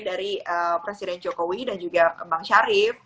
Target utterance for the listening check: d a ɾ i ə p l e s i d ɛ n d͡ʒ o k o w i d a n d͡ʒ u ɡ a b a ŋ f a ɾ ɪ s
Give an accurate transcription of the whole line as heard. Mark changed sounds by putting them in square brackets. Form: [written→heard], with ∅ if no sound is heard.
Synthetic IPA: d a ɾ i ə p [l→ɾ] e s i d ɛ n d͡ʒ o k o w i d a n d͡ʒ u ɡ a b a ŋ [f→ʃ] a ɾ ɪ [s→f]